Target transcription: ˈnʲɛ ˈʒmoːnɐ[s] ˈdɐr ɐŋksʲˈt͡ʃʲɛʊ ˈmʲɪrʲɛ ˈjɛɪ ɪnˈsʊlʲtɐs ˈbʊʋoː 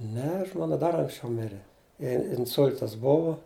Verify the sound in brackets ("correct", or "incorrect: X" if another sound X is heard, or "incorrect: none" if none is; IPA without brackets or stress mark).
incorrect: none